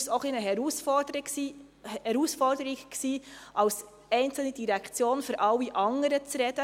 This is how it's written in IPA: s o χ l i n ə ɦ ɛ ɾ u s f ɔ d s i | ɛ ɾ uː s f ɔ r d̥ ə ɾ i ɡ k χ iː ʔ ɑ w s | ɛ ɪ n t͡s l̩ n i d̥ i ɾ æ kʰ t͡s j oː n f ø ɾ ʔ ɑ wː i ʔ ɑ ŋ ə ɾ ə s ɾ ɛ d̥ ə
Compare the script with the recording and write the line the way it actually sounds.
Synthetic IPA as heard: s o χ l i n ə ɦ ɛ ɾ u s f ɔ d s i | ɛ ɾ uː s f ɔ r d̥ ə ɾ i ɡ k s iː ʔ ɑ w s | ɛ ɪ n t͡s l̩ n i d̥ i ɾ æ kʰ t͡s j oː n f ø ɾ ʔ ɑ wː i ʔ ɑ ŋ ə ɾ ə t͡s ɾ ɛ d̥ ə